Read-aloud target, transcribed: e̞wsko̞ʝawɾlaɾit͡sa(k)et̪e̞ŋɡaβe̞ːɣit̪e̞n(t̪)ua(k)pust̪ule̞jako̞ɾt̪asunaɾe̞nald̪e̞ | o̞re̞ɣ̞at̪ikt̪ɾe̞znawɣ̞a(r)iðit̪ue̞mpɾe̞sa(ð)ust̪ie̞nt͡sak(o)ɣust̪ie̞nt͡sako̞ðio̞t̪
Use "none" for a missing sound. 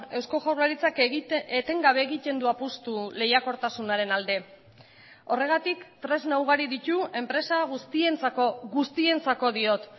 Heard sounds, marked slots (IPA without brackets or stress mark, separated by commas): k, d̪, none, ɾ, ɣ, o